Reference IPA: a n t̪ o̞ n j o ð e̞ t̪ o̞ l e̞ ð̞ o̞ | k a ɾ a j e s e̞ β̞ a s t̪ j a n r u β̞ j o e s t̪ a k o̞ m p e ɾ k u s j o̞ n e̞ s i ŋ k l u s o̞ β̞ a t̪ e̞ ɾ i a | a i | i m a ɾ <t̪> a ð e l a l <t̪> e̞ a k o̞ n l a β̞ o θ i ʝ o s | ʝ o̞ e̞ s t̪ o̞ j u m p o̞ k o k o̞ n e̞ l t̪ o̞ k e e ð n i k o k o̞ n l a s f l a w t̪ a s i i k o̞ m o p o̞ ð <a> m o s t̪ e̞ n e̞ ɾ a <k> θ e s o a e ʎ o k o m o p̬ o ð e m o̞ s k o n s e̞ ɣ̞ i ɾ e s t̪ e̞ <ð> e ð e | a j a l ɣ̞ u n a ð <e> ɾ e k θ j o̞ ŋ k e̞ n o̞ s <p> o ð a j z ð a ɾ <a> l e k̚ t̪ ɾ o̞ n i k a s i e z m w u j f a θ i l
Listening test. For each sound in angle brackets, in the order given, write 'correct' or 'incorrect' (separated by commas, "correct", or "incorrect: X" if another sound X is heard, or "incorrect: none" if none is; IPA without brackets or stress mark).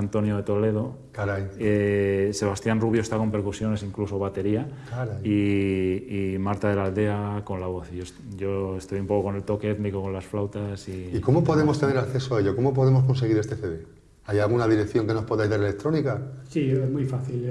correct, incorrect: d̪, incorrect: e, correct, incorrect: θ, incorrect: i, correct, incorrect: e